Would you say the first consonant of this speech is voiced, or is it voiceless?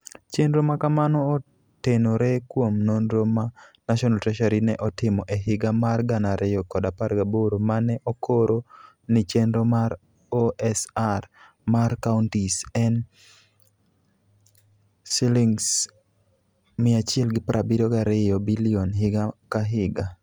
voiceless